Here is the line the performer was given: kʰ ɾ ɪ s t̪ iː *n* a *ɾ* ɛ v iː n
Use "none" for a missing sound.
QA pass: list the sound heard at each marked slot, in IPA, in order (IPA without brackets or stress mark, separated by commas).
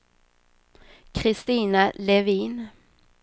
n, l